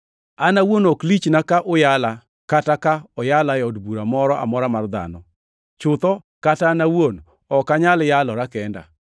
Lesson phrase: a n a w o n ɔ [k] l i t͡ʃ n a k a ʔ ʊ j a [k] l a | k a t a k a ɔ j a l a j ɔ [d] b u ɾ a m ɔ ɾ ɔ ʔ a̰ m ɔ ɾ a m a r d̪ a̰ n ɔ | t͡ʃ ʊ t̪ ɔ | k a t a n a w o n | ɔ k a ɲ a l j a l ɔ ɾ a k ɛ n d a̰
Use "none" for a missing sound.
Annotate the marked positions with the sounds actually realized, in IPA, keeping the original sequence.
k, none, d

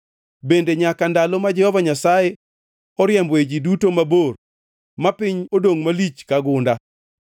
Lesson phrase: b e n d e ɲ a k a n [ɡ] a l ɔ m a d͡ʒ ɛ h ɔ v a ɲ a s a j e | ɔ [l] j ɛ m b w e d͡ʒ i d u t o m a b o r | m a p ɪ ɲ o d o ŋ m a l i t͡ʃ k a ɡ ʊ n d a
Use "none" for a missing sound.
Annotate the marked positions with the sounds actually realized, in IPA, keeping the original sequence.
d, ɾ

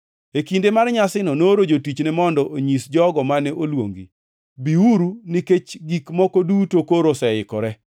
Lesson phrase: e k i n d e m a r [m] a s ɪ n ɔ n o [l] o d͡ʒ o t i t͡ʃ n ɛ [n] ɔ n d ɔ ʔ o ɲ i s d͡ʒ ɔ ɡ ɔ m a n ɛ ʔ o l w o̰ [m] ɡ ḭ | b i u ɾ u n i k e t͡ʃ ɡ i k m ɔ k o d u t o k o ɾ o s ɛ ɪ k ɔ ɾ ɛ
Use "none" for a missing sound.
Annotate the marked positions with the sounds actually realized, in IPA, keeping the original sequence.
ɲ, ɾ, m, ŋ

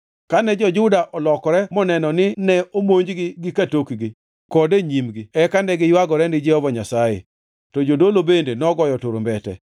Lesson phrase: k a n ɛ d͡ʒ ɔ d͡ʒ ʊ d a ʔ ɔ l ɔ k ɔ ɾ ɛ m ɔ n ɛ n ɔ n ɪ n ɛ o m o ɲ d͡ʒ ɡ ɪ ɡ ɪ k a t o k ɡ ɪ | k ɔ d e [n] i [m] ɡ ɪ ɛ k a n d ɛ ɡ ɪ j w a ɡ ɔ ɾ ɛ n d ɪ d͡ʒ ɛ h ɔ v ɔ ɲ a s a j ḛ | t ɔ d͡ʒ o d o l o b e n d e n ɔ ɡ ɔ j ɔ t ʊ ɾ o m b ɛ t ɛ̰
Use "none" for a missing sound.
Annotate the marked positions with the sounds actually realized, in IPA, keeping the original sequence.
ɲ, m

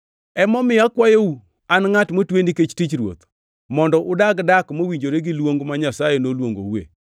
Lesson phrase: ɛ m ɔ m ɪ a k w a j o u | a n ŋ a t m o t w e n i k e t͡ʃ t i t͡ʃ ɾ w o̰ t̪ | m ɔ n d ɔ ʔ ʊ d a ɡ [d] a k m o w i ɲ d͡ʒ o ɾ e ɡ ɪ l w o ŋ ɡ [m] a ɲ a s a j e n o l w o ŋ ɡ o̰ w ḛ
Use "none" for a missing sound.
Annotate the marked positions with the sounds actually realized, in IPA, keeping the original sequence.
d, m

